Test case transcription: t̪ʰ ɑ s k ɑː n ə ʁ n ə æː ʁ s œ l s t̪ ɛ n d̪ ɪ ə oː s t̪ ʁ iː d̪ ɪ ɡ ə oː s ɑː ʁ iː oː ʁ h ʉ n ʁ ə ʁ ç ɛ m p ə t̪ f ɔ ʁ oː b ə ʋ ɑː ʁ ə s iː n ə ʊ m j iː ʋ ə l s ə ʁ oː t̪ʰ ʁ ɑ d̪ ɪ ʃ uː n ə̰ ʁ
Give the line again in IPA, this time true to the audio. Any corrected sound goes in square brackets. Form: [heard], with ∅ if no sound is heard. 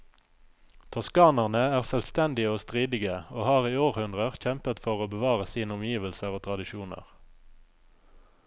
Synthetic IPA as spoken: t̪ʰ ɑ s k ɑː n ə ʁ n ə æː ʁ s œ l s t̪ ɛ n d̪ ɪ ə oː s t̪ ʁ iː d̪ ɪ ɡ ə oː [h] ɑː ʁ iː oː ʁ h ʉ n ʁ ə ʁ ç ɛ m p ə t̪ f ɔ ʁ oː b ə ʋ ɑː ʁ ə s iː n ə ʊ m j iː ʋ ə l s ə ʁ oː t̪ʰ ʁ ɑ d̪ ɪ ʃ uː n ə̰ ʁ